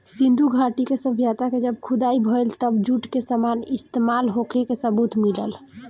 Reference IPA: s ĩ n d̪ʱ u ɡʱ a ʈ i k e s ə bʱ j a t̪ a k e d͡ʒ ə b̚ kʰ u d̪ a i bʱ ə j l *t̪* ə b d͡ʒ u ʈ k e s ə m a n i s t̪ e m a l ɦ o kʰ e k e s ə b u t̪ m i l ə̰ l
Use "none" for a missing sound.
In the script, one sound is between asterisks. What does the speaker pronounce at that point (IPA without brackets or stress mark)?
t̪